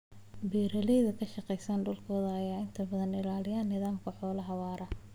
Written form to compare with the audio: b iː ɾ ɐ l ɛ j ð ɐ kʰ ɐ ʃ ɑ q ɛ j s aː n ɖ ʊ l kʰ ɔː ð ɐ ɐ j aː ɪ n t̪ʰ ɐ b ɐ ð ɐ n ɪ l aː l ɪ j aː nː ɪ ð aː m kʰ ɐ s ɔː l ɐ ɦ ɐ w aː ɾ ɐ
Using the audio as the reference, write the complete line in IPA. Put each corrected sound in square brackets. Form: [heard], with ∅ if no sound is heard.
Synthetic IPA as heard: b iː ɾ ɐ l ɛ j ð ɐ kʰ ɐ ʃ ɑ q ɛ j s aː n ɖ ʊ l kʰ ɔː ð ɐ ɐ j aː ɪ n t̪ʰ ɐ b ɐ ð ɐ n ɪ l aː l ɪ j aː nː ɪ ð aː m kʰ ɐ [ħ] ɔː l ɐ ɦ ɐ w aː ɾ ɐ